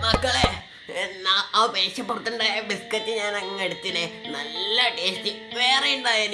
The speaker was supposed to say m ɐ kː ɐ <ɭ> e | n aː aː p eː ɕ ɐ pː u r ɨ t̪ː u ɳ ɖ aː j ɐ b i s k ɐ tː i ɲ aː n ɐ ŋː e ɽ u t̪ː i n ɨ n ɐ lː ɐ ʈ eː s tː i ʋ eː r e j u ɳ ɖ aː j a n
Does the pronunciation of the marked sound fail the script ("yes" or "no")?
no